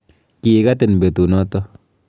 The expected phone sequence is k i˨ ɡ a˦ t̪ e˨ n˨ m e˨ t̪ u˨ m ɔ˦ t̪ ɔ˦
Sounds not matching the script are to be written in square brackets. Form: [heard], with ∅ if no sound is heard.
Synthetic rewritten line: k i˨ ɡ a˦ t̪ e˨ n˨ [b] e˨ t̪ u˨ [n] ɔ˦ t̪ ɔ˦